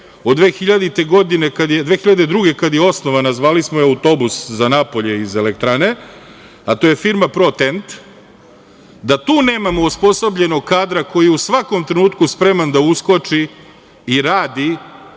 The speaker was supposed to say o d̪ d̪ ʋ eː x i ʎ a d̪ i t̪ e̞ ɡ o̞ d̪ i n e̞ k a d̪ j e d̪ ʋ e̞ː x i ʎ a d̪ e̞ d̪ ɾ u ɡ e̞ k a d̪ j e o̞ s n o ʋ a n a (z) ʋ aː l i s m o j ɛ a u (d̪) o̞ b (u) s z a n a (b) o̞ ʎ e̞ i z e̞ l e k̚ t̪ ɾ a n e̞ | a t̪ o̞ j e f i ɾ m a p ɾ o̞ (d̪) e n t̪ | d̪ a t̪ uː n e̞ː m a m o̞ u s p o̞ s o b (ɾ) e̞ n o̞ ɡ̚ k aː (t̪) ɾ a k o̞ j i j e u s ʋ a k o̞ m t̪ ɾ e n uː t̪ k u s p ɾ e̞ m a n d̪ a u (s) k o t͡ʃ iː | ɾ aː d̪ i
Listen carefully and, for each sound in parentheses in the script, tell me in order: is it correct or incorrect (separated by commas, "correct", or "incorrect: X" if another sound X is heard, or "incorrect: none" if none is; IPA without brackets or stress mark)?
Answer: correct, incorrect: t̪, correct, incorrect: p, incorrect: t̪, incorrect: ʎ, incorrect: d̪, correct